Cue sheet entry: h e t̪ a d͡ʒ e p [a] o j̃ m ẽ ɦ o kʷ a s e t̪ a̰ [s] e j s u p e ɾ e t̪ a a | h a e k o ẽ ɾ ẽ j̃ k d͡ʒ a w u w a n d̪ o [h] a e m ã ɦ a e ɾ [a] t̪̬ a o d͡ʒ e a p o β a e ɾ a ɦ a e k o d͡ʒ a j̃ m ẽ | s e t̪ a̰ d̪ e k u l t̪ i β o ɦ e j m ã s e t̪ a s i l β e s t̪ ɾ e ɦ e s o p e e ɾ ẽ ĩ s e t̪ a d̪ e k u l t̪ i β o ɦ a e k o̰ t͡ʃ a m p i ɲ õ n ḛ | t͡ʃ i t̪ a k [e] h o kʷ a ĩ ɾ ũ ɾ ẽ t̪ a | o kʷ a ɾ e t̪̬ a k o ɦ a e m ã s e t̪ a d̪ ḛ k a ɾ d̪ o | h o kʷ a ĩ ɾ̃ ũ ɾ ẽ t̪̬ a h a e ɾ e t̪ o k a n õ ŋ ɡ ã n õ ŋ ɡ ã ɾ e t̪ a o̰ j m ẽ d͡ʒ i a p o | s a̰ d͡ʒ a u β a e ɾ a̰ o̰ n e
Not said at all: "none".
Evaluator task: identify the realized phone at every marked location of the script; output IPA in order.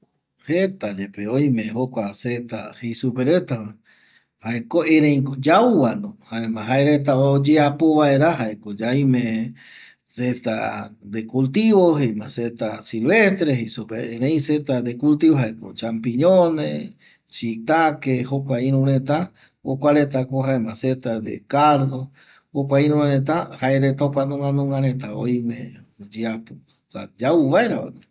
e, h, h, e, e

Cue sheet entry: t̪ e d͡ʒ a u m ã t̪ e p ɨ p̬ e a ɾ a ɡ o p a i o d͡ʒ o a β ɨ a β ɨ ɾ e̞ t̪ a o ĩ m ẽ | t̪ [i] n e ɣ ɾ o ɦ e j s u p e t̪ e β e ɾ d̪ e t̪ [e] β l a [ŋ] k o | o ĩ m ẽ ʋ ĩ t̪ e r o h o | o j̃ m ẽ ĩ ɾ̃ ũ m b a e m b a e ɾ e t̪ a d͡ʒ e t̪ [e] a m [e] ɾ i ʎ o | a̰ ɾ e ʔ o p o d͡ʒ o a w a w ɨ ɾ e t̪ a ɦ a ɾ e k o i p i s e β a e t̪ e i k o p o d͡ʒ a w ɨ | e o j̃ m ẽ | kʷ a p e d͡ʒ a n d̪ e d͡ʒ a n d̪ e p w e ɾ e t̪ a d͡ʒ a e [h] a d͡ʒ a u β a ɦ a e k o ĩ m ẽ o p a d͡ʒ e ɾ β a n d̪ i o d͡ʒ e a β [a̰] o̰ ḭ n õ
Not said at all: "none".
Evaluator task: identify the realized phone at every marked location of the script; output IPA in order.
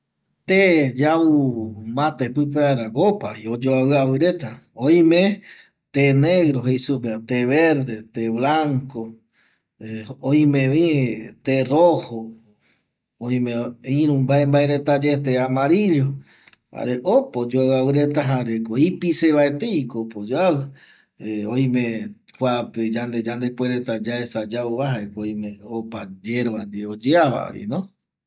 e, e, ŋ, e, a, s, a̰

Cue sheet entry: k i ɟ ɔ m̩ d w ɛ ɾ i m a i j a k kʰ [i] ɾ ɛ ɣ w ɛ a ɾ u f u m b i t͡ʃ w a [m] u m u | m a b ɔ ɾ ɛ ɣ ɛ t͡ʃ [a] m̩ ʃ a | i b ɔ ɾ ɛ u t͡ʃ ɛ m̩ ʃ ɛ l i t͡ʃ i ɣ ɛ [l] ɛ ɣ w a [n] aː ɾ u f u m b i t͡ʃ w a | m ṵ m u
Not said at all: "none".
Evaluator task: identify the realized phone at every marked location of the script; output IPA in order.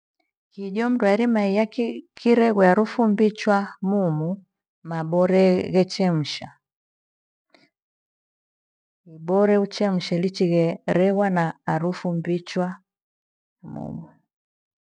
i, m, ɛ, ɾ, n

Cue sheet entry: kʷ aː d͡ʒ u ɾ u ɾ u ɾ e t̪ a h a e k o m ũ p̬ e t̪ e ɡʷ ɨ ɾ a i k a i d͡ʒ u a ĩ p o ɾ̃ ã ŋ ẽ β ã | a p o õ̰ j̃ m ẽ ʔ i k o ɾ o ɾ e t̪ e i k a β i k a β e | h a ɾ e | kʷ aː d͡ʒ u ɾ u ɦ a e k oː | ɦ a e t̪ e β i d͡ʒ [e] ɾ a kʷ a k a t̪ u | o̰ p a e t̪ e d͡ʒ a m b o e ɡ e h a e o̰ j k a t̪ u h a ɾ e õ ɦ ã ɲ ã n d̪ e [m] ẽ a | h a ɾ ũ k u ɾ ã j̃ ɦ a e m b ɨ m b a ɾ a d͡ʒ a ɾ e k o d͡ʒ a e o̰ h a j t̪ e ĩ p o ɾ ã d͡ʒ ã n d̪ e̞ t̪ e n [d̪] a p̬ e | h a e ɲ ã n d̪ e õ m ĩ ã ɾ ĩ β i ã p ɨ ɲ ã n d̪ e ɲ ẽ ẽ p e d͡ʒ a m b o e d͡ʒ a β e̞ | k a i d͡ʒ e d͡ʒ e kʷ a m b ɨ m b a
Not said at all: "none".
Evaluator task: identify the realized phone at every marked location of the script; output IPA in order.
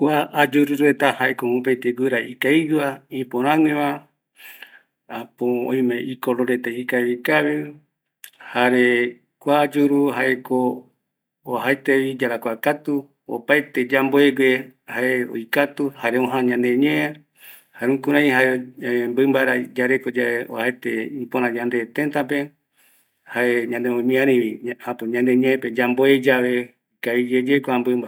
a, ɲ, t̪

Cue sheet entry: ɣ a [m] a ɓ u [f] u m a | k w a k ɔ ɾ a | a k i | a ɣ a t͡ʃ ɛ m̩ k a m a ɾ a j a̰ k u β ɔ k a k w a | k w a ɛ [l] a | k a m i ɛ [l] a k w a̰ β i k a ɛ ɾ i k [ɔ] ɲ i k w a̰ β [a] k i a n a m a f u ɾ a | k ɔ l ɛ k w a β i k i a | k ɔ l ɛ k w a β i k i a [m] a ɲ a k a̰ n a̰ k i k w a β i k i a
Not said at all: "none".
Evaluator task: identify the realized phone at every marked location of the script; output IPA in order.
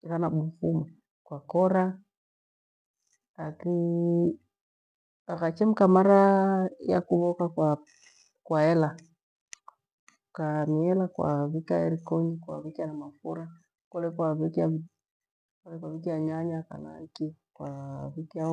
n, f, l, l, ɔ, i, ɲ

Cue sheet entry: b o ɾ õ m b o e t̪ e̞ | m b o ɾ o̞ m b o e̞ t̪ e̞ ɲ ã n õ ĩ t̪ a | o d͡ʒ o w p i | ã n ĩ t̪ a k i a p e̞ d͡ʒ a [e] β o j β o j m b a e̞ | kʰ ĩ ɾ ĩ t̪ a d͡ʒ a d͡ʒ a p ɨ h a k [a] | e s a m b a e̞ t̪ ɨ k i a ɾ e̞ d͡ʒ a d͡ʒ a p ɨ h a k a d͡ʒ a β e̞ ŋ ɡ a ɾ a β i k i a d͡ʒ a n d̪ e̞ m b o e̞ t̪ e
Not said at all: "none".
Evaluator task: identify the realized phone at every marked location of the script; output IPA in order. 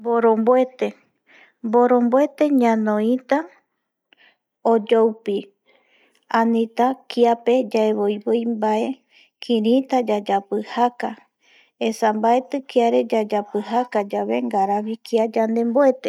e, a

